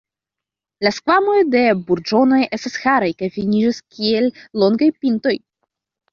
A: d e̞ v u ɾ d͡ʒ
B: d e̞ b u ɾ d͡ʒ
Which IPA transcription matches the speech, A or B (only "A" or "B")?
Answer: B